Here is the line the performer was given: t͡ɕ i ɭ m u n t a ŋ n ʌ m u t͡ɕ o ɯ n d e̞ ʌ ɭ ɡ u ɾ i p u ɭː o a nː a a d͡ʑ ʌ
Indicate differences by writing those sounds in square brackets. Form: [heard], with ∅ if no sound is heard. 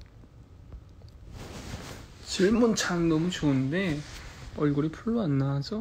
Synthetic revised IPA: t͡ɕ i ɭ m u n [t͡ɕʰ] a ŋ n ʌ m u t͡ɕ o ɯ n d e̞ ʌ ɭ ɡ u ɾ i [pʰ] u ɭː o a nː a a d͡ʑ ʌ